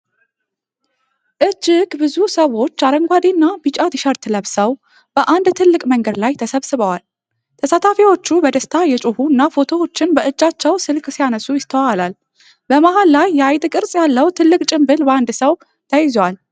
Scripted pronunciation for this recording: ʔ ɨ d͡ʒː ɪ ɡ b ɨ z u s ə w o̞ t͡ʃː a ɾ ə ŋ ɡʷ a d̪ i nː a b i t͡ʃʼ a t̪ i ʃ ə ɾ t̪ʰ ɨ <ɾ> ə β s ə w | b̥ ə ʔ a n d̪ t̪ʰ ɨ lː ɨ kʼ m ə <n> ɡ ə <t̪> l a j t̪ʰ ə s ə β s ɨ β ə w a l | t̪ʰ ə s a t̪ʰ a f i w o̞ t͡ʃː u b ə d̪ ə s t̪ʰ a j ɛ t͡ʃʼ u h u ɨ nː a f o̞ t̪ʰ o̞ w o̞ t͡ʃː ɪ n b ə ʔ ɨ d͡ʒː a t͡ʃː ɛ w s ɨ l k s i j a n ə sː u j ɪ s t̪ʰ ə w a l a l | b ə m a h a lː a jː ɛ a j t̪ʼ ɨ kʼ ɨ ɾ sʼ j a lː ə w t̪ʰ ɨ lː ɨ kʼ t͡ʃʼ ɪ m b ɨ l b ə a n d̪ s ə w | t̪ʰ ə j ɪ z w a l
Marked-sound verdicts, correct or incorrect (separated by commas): incorrect, incorrect, incorrect